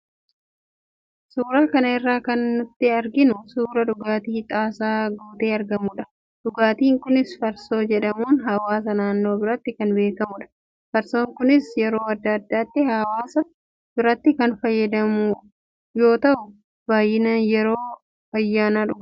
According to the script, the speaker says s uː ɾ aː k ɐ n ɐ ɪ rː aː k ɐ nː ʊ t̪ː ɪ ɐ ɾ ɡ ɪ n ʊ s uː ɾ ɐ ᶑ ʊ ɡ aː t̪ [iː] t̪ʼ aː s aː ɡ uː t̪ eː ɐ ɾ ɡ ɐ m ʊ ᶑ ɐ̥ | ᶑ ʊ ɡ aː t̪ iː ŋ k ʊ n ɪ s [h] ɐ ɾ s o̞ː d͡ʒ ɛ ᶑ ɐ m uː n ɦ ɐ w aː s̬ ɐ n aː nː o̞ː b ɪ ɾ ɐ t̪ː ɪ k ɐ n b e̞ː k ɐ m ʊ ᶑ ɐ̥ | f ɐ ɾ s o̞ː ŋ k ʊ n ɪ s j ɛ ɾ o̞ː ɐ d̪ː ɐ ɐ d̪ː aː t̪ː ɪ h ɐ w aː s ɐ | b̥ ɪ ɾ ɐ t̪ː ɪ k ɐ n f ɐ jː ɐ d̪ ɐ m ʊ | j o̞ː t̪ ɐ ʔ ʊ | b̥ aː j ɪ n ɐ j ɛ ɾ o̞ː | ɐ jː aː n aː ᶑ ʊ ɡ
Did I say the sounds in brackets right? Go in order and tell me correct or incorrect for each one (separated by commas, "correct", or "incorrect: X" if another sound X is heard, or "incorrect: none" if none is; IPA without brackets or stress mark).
correct, incorrect: f